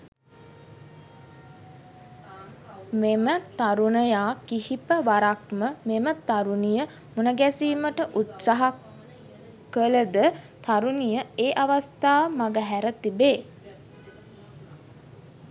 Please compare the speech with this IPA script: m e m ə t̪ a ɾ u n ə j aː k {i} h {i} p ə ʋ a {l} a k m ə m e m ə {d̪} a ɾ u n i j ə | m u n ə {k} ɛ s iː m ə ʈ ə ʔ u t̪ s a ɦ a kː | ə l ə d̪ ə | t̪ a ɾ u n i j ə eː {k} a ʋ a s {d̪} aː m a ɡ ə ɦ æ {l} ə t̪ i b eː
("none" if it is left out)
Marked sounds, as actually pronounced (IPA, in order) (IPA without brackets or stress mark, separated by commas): i, i, ɾ, t̪, ɡ, ʔ, t̪, ɾ